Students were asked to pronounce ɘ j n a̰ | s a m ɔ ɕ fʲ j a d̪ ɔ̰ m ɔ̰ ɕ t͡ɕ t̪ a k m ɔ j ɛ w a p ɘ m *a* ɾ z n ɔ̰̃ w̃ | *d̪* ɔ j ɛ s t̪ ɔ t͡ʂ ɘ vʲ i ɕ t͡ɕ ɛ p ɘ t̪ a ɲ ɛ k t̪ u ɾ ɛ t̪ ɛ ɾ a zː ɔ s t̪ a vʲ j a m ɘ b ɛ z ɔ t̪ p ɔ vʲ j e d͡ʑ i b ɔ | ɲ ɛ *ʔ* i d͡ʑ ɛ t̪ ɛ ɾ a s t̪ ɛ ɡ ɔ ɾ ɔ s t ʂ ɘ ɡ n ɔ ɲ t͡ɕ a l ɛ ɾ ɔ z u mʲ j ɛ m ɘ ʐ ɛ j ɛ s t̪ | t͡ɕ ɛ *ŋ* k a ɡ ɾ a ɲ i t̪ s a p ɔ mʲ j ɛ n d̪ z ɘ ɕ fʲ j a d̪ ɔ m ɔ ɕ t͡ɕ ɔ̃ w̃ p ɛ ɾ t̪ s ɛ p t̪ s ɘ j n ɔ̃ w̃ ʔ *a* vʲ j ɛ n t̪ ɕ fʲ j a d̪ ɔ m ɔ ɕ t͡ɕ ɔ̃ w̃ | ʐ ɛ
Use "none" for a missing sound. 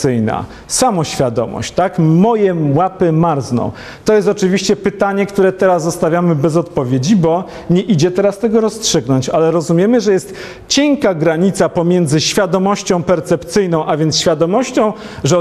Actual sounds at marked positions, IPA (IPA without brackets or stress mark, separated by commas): a, t̪, ʔ, ŋ, a